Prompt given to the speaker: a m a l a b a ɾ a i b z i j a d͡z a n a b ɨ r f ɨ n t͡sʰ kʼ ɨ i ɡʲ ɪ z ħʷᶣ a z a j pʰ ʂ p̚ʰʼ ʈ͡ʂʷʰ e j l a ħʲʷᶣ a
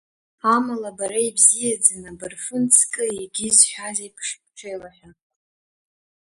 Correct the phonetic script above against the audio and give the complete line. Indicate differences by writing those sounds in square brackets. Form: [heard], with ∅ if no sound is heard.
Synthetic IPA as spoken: a m a l a b a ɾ a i b z i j a d͡z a n a b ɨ r f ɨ n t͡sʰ kʼ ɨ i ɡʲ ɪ z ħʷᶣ a z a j pʰ ʂ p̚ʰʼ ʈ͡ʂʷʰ e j l a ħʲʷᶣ a